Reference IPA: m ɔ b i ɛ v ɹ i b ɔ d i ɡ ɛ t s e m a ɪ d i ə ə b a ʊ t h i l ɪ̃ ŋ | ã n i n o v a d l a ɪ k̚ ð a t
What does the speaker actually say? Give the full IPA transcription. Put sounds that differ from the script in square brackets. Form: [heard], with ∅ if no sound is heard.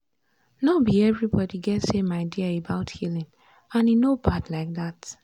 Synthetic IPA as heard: [n] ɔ b i ɛ v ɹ i b ɔ d i ɡ ɛ t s e m a ɪ d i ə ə b a ʊ t h i l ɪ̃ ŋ | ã n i n o [b] a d l a ɪ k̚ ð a t